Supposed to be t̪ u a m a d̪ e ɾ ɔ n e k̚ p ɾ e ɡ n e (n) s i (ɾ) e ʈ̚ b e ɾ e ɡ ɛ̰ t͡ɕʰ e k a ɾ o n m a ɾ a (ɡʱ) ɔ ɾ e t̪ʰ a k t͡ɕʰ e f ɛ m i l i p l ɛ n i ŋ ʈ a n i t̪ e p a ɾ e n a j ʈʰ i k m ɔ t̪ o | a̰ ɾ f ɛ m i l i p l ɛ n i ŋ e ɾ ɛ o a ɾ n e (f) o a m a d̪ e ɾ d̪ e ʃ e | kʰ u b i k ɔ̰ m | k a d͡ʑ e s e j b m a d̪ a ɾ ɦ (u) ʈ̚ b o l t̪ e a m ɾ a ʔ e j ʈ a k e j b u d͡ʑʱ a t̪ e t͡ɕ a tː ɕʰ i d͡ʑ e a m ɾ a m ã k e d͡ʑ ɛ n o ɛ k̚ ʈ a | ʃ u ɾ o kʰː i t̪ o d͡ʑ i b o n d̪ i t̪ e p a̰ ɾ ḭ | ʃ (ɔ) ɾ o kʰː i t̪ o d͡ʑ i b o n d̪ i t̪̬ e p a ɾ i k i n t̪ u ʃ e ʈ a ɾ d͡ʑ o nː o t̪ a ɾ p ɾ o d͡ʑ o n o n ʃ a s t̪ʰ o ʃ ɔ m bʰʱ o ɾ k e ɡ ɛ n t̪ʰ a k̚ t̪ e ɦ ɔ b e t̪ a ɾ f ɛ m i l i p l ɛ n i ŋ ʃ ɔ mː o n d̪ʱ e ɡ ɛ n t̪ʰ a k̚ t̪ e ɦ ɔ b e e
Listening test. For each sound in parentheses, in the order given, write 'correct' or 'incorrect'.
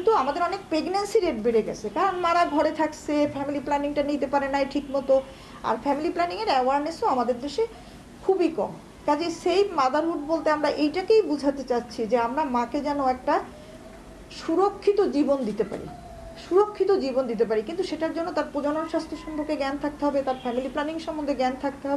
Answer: correct, correct, correct, incorrect, correct, incorrect

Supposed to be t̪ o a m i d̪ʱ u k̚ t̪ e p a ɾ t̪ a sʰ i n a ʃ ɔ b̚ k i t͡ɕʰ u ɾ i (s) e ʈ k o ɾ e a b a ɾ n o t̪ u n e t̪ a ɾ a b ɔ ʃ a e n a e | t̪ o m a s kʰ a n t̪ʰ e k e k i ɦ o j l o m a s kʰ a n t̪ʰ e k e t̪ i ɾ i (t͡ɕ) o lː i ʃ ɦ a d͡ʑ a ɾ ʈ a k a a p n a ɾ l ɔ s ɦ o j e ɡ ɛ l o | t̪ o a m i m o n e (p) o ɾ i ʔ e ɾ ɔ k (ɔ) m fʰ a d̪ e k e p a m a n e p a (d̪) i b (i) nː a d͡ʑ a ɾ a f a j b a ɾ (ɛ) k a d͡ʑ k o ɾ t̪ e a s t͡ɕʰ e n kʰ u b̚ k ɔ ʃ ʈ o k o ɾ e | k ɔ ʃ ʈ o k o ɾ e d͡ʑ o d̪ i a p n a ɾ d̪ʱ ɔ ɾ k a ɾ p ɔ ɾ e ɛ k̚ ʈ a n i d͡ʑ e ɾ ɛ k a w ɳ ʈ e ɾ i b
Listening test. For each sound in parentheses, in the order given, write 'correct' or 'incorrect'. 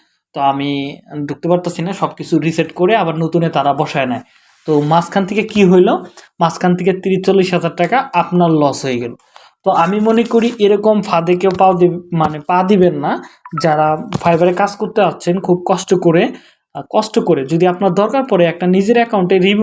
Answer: correct, correct, incorrect, incorrect, correct, incorrect, incorrect

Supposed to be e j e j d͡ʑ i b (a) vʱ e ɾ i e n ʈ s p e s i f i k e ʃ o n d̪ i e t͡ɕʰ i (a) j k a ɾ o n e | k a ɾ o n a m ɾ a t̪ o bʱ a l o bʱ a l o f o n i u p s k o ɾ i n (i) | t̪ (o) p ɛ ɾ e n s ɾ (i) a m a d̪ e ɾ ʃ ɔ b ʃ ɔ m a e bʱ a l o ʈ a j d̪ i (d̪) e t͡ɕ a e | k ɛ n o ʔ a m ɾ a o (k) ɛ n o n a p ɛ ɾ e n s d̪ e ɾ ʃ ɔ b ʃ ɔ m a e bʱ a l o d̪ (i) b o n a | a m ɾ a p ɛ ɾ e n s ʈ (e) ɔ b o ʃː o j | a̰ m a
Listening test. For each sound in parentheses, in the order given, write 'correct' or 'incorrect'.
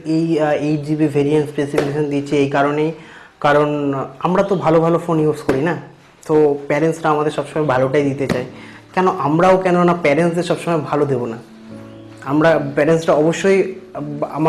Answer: incorrect, incorrect, incorrect, correct, incorrect, incorrect, correct, incorrect, incorrect

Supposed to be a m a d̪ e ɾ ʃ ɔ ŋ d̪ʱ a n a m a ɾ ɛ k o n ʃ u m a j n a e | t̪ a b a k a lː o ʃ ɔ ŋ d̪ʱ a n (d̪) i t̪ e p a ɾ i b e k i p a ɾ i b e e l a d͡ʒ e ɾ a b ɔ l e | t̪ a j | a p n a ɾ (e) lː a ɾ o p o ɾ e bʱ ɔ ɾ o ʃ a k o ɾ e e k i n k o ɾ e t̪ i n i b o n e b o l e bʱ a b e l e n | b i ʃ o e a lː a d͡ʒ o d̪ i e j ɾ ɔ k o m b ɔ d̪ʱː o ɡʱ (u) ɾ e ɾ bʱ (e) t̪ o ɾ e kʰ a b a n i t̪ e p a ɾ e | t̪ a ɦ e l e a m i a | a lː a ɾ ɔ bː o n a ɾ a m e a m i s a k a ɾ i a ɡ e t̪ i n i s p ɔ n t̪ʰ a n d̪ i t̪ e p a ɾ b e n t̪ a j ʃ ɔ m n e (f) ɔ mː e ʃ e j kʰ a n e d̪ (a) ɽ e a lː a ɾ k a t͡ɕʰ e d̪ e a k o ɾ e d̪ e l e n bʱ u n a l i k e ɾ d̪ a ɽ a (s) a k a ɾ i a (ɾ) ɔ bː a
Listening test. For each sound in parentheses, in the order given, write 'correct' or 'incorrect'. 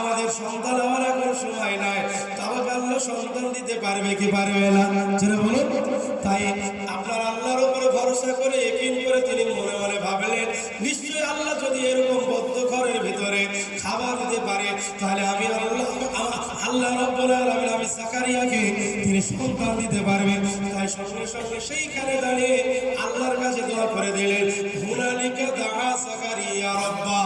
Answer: correct, incorrect, incorrect, incorrect, incorrect, correct, correct, correct

